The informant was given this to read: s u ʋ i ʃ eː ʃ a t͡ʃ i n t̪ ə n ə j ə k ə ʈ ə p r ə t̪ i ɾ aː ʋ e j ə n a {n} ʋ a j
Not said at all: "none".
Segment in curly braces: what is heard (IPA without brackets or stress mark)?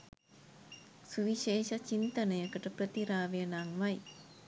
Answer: ŋ